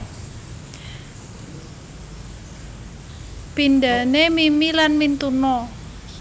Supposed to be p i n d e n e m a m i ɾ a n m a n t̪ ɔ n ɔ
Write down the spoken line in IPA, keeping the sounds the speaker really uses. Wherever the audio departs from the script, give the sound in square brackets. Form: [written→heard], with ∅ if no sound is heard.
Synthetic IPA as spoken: p i n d [e→a] n e m [a→i] m i [ɾ→l] a n m [a→i] n t̪ [ɔ→u] n ɔ